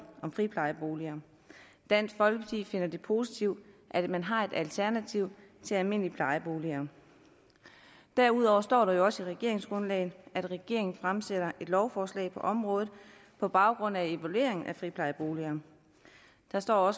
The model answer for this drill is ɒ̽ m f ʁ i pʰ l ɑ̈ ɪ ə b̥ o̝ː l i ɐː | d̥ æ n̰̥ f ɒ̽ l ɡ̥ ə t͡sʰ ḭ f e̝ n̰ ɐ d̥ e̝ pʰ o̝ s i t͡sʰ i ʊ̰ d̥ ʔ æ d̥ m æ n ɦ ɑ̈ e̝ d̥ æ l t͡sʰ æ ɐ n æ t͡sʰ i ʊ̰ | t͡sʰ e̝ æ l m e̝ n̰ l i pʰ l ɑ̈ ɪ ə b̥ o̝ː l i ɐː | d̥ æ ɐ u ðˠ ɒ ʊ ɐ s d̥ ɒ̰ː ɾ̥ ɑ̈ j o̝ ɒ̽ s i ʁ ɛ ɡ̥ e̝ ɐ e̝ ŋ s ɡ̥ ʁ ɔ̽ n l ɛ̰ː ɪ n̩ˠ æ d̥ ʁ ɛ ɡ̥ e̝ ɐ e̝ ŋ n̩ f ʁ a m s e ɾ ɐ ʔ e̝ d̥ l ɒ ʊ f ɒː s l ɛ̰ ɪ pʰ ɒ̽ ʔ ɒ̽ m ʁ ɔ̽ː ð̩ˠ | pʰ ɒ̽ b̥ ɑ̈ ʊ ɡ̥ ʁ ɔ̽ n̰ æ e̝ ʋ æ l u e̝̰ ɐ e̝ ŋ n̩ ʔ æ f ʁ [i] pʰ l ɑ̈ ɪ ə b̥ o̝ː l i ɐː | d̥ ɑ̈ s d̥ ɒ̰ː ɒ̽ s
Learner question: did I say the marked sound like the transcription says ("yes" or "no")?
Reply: yes